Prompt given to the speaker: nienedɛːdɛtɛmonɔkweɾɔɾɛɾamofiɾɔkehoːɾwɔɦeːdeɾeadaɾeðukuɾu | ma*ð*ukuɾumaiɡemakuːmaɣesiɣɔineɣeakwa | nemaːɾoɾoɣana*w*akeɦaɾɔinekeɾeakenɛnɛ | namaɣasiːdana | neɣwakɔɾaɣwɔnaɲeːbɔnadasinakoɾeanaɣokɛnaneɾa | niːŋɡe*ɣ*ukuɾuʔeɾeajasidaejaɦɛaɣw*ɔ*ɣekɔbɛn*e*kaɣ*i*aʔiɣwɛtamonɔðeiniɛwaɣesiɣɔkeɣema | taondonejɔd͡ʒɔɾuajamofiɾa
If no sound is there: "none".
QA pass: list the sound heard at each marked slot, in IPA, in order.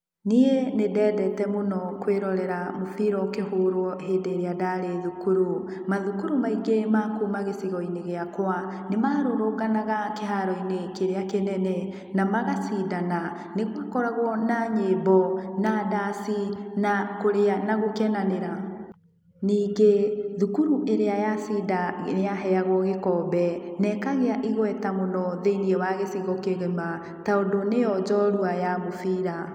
ð, ɣ, ð, ɔ, ɛ, e

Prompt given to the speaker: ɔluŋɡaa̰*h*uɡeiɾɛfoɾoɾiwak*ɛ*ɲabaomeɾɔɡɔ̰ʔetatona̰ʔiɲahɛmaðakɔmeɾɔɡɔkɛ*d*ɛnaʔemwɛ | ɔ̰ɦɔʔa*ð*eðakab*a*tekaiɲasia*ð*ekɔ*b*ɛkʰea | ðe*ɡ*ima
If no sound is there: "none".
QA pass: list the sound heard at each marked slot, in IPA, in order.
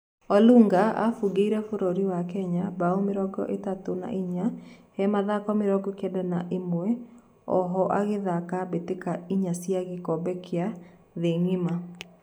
f, ɛ, d, ɣ, e, ɣ, b, ŋ

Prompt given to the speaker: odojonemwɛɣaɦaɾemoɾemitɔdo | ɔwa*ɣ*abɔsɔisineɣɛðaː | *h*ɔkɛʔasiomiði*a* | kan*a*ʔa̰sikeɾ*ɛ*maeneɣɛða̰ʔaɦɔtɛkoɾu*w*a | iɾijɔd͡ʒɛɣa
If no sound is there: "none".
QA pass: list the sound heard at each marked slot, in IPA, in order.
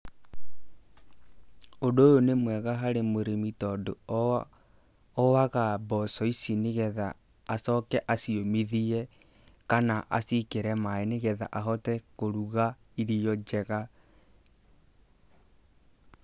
ɣ, s, ɛ, a, ɛ, ɣ

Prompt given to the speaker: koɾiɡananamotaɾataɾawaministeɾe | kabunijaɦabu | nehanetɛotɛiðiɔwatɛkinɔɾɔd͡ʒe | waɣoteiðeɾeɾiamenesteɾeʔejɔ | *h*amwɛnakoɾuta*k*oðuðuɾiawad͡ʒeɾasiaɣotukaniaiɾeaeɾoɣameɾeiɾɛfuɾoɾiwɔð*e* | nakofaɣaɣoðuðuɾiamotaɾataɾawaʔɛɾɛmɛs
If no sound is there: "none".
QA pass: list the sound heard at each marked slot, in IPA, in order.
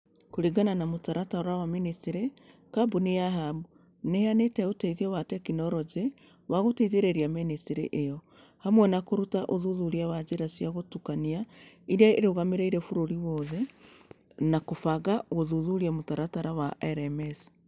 h, ʔ, ɛ

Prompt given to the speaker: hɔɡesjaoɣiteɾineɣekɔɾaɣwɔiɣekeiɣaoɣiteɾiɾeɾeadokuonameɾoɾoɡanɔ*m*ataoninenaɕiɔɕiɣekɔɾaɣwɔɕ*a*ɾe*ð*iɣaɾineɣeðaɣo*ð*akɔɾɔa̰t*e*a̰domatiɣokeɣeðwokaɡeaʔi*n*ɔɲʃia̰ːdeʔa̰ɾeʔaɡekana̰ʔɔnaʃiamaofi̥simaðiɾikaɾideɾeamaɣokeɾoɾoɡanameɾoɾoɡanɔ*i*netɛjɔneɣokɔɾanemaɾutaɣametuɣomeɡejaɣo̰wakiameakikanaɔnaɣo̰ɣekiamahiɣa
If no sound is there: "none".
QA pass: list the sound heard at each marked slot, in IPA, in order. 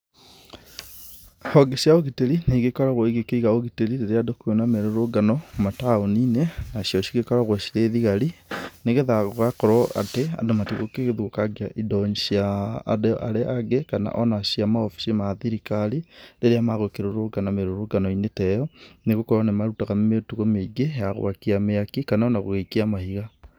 m, i, ð, ɣ, e, d, i

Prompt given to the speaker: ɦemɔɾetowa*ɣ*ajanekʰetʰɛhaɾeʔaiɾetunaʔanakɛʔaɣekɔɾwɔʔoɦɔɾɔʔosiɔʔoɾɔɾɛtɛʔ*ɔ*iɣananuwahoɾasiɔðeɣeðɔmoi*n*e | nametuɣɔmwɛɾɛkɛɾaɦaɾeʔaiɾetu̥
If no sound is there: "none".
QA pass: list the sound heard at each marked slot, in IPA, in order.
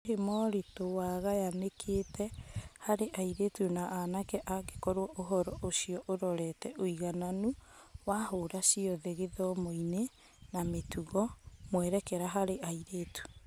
ɣ, o, n

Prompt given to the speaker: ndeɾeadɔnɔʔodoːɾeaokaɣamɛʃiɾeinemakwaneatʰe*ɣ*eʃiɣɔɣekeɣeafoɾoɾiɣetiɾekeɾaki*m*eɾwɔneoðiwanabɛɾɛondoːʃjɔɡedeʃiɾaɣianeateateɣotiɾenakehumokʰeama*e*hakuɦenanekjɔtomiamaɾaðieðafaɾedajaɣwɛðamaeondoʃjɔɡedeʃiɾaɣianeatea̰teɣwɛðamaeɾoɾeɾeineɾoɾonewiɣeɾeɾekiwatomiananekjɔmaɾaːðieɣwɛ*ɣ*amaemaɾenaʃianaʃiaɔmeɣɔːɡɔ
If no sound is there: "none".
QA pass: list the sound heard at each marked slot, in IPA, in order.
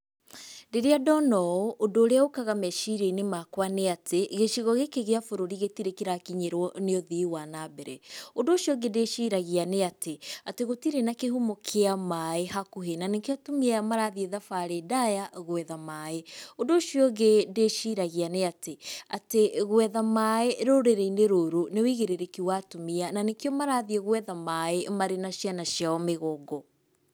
ɣ, ɲ, e, ð

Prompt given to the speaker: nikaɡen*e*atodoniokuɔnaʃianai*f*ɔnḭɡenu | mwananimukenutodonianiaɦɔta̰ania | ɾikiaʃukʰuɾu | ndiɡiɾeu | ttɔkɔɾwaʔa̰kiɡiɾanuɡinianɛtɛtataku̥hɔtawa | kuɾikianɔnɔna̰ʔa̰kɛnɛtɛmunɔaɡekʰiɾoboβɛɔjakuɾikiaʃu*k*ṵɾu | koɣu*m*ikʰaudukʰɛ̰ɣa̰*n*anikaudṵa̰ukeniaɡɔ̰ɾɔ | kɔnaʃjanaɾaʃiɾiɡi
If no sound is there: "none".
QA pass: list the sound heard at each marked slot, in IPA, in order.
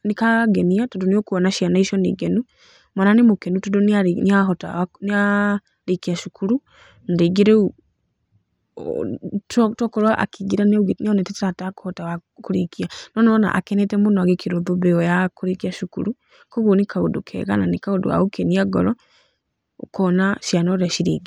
i, ʃ, k, n, n

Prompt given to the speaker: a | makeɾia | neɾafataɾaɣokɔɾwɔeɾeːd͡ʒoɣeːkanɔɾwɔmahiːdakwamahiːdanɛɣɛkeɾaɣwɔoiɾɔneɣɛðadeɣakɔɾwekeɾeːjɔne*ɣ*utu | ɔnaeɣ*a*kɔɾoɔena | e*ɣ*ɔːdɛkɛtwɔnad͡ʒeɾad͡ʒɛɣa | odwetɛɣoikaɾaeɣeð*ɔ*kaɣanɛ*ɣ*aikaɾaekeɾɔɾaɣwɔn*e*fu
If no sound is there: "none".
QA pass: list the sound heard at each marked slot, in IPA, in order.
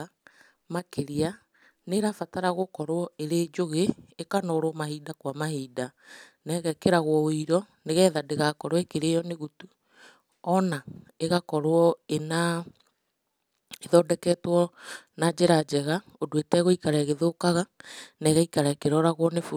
ɣ, a, ð, o, ɣ, e

